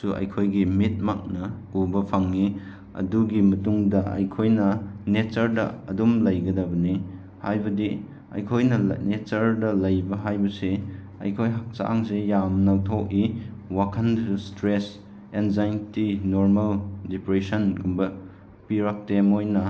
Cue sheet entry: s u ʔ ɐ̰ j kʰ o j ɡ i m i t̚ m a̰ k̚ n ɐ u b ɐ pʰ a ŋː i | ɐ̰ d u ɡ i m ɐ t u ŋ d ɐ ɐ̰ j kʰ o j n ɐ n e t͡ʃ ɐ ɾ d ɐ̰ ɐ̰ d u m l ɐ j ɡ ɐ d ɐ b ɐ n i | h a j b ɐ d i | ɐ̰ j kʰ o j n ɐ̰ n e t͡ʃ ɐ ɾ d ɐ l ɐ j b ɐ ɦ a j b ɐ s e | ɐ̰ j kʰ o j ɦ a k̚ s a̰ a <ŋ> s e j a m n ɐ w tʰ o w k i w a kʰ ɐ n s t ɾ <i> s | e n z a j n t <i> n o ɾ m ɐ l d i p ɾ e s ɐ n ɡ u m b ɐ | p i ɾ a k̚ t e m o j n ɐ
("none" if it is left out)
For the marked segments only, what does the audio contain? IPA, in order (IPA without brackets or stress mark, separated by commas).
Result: ŋ, e, i